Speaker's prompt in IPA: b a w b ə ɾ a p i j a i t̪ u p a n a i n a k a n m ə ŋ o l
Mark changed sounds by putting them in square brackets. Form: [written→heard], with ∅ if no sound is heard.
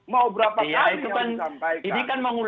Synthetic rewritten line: [b→m] a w b ə ɾ a p [i→a] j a i t̪ u [p→k] a n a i n [a→i] k a n m ə ŋ [o→u] l